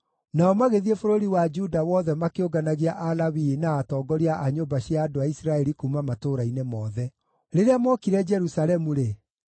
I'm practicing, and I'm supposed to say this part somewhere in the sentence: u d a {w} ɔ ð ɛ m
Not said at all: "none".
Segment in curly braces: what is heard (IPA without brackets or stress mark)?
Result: w